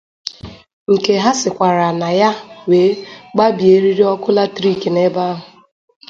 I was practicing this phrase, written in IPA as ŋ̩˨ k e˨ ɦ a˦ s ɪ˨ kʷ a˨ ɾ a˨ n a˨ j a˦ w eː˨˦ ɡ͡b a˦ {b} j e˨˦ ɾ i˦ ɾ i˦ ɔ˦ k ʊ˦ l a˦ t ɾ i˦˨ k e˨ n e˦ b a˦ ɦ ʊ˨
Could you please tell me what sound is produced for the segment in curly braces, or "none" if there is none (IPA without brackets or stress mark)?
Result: b